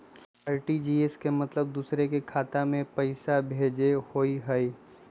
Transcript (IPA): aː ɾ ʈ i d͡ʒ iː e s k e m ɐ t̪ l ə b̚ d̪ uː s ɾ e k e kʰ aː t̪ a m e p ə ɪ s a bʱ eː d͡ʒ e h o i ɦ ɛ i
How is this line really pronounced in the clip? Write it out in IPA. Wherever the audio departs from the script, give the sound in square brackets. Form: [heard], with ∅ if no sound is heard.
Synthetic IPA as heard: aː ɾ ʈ i d͡ʒ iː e s k e m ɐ t̪ l ə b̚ d̪ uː s ɾ e k e kʰ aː t̪ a m [ẽ] p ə ɪ s a bʱ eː d͡ʒ e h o i ɦ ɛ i